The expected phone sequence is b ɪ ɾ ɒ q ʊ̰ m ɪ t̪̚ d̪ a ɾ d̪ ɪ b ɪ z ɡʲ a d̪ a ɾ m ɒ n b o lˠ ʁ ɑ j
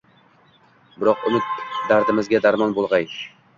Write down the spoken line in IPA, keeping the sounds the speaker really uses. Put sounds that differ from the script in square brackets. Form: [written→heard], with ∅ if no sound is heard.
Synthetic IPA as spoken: b ɪ ɾ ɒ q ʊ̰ m ɪ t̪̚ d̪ a ɾ d̪ ɪ [b→m] ɪ z ɡʲ a d̪ a ɾ m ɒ n b o lˠ ʁ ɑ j

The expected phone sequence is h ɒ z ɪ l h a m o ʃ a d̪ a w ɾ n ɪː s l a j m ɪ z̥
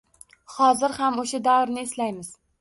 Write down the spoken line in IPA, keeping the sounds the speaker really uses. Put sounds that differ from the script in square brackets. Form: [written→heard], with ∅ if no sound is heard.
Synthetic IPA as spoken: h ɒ z ɪ [l→ɾ] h a m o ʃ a d̪ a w ɾ n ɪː s l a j m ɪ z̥

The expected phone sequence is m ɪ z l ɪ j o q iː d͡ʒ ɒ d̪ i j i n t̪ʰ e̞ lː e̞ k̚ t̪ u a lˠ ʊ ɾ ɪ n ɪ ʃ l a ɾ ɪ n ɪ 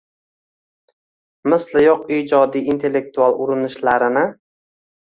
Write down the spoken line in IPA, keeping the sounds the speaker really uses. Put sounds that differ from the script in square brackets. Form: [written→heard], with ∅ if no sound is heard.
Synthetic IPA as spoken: m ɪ [z→s] l ɪ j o q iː d͡ʒ ɒ d̪ i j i n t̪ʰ e̞ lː e̞ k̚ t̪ u a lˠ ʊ ɾ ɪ n ɪ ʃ l a ɾ ɪ n ɪ

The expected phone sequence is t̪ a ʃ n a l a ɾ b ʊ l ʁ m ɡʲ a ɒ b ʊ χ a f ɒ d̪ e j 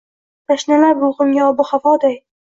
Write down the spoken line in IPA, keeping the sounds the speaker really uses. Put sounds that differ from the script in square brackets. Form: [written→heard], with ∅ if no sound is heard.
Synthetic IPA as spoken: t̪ a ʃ n a l a ɾ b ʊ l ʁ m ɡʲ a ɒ b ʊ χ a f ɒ d̪ [e→a] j

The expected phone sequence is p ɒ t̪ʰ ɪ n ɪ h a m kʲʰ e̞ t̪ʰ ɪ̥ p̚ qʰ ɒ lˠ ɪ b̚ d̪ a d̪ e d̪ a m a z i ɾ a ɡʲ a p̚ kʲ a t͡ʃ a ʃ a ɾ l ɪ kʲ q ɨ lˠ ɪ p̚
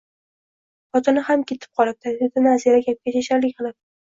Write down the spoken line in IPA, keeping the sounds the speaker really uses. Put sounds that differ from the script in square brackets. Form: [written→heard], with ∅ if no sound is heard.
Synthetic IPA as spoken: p ɒ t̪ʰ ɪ n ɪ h a m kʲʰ e̞ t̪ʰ ɪ̥ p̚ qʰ ɒ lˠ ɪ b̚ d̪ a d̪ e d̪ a [m→n] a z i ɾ a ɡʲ a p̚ kʲ a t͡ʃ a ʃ a ɾ l ɪ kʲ q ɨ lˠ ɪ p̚

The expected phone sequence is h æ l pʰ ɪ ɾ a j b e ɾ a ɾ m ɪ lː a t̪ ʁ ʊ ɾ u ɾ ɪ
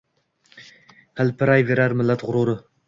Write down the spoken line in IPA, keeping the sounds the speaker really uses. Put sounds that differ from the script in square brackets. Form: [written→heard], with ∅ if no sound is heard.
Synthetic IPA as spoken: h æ l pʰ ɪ ɾ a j [b→v] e ɾ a ɾ m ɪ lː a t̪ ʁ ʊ ɾ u ɾ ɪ

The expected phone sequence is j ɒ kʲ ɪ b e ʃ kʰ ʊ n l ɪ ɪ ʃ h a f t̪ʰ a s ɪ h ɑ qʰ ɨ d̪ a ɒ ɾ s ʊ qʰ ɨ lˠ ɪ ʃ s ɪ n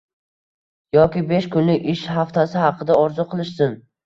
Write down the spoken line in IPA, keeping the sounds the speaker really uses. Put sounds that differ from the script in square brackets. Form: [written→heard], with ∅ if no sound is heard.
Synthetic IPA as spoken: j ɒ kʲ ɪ b e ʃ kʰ ʊ n l ɪ ɪ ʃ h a f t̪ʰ a s ɪ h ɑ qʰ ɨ d̪ a ɒ ɾ [s→z] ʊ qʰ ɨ lˠ ɪ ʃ s ɪ n

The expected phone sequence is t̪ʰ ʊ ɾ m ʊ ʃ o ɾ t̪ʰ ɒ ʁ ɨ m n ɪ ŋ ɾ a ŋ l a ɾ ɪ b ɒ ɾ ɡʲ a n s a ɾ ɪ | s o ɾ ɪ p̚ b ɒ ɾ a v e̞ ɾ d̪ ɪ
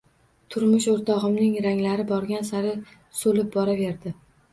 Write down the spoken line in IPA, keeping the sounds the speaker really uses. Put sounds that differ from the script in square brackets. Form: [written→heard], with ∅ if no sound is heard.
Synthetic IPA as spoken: t̪ʰ ʊ ɾ m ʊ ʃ o ɾ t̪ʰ ɒ ʁ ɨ m n ɪ ŋ ɾ a ŋ l a ɾ ɪ b ɒ ɾ ɡʲ a n s a ɾ ɪ | s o [ɾ→l] ɪ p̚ b ɒ ɾ a v e̞ ɾ d̪ ɪ

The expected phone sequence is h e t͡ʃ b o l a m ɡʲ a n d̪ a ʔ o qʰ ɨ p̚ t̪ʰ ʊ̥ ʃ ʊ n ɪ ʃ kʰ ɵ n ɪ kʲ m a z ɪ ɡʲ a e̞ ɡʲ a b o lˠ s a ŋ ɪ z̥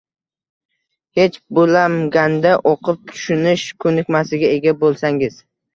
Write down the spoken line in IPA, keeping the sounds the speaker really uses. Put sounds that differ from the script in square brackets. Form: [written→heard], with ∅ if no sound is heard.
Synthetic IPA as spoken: h e t͡ʃ b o l a m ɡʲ a n d̪ a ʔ o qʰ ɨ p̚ t̪ʰ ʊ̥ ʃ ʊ n ɪ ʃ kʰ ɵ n ɪ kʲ m a [z→s] ɪ ɡʲ a e̞ ɡʲ a b o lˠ s a ŋ ɪ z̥

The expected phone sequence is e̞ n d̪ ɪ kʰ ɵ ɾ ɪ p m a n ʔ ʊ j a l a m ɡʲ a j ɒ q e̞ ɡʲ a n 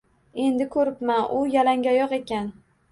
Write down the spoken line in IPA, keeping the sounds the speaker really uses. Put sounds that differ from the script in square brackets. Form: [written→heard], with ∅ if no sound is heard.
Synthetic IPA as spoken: e̞ n d̪ ɪ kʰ ɵ ɾ ɪ p m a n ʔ ʊ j a l a [m→ŋ] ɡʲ a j ɒ q e̞ [ɡʲ→kʲ] a n

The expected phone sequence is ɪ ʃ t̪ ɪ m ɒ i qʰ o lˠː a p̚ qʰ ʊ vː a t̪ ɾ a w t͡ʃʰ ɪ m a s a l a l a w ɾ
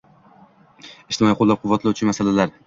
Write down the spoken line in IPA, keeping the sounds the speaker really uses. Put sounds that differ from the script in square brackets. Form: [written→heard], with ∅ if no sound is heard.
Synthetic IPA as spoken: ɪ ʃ t̪ ɪ m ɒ i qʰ o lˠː a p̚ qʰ ʊ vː a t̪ [ɾ→l] a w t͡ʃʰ ɪ m a s a l a l a [w→∅] ɾ

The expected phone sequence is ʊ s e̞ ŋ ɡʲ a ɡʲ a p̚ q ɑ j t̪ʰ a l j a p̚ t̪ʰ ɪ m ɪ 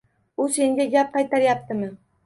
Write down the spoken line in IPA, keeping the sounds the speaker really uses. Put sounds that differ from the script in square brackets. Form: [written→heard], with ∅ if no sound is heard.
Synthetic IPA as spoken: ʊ s e̞ ŋ ɡʲ a ɡʲ a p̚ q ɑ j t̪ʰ a [l→ɾ] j a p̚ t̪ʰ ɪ m ɪ

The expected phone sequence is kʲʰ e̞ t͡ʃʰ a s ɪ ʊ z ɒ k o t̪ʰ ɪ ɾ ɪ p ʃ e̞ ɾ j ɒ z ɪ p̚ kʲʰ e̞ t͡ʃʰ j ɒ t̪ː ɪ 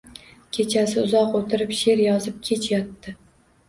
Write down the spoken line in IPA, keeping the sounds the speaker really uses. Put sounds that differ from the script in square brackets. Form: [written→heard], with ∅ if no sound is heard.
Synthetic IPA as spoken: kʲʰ e̞ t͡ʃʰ a s ɪ ʊ z ɒ [k→q] o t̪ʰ ɪ ɾ ɪ p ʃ e̞ ɾ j ɒ z ɪ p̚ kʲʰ e̞ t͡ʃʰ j ɒ t̪ː ɪ

